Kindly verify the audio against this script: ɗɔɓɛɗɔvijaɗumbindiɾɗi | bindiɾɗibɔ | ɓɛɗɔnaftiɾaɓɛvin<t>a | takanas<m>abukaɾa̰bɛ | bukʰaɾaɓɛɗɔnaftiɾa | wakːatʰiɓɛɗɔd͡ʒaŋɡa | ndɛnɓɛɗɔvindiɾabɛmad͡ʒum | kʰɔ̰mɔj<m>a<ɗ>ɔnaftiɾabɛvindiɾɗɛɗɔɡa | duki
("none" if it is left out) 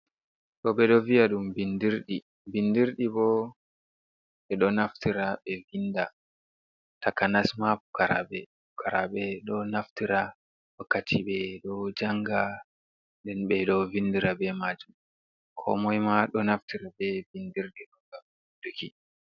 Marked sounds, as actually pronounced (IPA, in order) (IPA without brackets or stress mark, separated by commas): d, m, m, ɗ